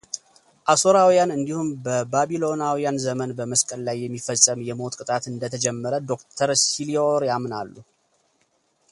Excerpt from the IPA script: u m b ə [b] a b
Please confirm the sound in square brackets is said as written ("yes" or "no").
yes